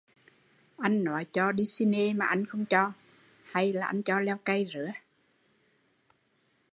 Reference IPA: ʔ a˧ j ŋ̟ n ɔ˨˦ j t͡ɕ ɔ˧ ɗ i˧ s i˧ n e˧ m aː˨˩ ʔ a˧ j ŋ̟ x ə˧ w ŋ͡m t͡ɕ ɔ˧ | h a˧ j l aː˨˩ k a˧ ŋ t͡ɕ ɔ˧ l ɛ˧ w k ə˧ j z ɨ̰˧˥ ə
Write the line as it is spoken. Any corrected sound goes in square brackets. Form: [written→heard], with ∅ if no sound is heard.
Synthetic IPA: ʔ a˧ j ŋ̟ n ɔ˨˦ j t͡ɕ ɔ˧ ɗ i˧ s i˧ n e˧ m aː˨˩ ʔ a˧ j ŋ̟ x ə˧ w ŋ͡m t͡ɕ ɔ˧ | h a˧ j l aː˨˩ [k→ʔ] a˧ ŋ t͡ɕ ɔ˧ l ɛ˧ w k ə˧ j z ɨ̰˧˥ ə